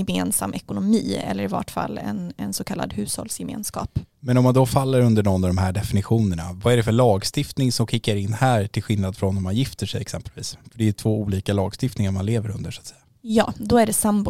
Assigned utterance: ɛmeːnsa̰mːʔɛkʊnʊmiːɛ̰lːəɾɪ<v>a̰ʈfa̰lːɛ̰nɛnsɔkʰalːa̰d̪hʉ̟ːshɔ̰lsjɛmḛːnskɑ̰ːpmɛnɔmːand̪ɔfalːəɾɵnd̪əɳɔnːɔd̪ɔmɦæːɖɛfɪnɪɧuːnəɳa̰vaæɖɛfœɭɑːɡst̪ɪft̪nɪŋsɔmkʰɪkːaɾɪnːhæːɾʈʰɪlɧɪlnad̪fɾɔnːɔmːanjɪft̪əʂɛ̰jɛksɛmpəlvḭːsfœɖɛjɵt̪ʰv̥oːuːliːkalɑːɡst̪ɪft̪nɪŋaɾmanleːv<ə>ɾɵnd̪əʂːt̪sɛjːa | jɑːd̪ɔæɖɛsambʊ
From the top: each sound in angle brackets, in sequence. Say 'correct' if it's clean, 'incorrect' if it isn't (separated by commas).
correct, correct